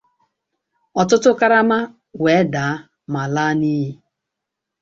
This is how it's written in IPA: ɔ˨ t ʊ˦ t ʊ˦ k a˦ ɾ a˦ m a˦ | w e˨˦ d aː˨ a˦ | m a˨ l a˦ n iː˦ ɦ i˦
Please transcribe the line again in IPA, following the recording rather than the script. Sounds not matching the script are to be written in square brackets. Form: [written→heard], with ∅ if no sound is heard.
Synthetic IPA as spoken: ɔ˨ t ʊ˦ t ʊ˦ k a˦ ɾ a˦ m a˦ | w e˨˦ d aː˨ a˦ | m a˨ l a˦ n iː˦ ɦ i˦